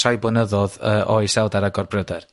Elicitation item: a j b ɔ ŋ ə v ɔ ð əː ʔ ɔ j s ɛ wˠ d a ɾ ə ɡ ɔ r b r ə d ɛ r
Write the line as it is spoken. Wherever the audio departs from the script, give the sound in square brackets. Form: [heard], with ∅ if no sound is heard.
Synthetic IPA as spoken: a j b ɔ [n] ə [ð] ɔ ð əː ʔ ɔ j s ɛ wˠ d a ɾ [a] ɡ ɔ r b r ə d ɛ r